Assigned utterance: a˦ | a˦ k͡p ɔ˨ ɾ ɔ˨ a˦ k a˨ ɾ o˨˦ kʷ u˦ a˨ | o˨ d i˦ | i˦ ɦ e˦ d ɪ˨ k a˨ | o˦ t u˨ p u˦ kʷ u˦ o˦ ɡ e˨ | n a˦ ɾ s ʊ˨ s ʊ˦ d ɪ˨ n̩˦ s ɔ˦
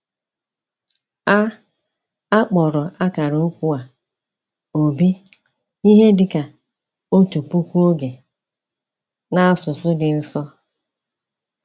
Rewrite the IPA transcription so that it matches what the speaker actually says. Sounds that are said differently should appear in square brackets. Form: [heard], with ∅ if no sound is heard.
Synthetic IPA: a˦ | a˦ k͡p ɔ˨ ɾ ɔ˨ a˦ k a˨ ɾ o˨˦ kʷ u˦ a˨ | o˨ [b] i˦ | i˦ ɦ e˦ d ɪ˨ k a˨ | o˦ t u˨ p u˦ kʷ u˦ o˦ ɡ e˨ | n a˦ [∅] s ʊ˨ s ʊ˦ d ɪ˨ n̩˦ s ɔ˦